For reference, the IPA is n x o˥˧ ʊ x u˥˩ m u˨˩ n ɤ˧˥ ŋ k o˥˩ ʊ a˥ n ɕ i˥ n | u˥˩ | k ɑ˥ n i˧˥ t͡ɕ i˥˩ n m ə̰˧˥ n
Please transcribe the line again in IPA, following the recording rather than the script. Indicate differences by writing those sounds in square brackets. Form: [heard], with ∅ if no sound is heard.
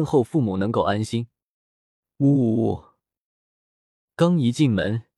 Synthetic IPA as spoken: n x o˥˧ ʊ [f] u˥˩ m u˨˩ n ɤ˧˥ ŋ k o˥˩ ʊ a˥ n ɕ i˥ n | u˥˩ | k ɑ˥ [ŋ] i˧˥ t͡ɕ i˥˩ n m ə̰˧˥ n